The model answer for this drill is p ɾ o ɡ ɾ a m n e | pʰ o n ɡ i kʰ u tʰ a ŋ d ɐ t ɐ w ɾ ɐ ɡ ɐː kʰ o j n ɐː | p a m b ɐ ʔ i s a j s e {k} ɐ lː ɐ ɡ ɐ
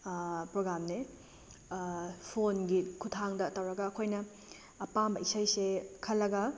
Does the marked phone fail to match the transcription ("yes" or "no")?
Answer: yes